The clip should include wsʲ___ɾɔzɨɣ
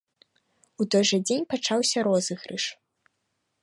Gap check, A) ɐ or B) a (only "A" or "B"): A